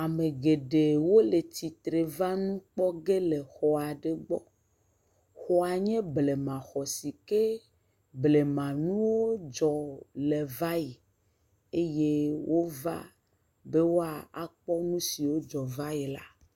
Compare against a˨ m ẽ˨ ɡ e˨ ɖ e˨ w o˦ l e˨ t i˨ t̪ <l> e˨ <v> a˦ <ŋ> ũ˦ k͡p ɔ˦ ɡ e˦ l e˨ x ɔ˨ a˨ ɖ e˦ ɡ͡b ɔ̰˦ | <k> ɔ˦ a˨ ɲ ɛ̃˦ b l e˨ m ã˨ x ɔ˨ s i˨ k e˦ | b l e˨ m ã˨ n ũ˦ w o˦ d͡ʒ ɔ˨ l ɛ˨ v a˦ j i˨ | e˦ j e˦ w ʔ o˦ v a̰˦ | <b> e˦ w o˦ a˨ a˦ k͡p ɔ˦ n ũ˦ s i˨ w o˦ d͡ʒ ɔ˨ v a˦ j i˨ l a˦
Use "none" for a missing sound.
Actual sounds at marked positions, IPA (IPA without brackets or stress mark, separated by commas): ɾ, v, n, x, b